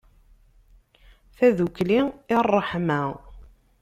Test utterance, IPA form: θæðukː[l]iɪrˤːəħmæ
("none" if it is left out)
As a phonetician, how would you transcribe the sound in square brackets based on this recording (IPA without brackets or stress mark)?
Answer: l